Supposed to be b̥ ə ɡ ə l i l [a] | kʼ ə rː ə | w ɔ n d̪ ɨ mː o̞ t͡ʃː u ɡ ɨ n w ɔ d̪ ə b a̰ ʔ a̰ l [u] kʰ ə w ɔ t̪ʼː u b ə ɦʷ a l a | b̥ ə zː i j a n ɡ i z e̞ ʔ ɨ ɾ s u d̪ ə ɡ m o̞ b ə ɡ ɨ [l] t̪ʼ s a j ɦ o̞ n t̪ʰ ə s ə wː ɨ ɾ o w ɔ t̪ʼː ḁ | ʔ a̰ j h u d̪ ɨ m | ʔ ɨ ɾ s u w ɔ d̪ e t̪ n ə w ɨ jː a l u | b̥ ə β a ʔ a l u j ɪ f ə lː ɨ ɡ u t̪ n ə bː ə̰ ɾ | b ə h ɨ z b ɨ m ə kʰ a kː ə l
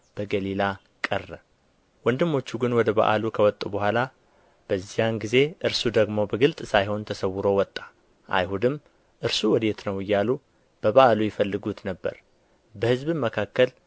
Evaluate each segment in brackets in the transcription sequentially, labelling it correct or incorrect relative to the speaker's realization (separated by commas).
correct, correct, correct